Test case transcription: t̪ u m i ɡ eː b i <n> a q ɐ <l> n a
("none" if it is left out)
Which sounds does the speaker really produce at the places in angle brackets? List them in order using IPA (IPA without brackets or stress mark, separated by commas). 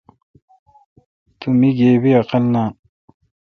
none, l